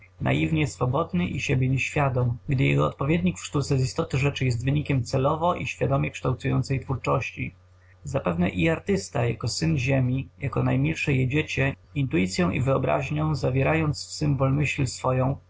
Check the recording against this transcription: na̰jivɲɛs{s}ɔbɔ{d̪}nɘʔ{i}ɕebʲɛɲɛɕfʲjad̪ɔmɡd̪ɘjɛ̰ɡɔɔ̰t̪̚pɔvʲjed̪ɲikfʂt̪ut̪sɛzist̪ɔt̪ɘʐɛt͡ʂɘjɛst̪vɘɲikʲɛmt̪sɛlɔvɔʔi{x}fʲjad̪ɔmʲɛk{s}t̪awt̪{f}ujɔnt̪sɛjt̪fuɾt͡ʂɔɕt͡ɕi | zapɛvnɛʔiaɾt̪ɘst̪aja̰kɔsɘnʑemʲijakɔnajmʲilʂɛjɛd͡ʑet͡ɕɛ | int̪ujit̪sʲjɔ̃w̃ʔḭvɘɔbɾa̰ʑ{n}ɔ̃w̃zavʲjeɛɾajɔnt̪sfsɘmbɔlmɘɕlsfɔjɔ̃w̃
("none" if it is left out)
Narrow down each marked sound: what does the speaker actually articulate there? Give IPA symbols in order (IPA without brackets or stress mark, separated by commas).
f, d̪, i, ɕ, ʂ, s, ɲ